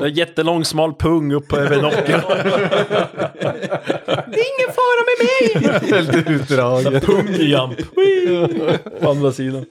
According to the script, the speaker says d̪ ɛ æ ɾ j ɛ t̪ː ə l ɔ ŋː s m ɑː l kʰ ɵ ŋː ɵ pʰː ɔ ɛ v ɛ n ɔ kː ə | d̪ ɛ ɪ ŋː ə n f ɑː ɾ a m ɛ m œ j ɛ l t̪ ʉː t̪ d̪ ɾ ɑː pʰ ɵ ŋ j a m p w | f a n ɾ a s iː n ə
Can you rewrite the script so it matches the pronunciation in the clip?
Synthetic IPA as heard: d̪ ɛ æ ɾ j ɛ t̪ː ə l ɔ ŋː s m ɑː l pʰ ɵ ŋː ɵ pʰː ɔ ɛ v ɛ n ɔ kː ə | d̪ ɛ ɪ ŋː ə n f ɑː ɾ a m ɛ m ɛ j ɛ l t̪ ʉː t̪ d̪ ɾ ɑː pʰ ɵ ŋ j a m p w | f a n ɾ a s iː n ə